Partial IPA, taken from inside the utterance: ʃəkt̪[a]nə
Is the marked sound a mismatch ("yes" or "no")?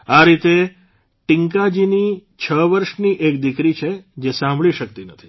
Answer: yes